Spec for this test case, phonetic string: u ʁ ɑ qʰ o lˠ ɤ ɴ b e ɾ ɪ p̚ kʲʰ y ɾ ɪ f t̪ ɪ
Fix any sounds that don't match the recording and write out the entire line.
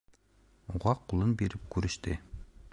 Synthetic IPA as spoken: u ʁ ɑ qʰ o lˠ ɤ n b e ɾ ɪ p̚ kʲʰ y ɾ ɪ ʃ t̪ ɪ